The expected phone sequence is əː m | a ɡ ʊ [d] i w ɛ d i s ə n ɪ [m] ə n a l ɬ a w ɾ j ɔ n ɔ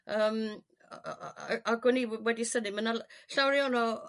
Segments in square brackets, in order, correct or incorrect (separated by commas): incorrect, correct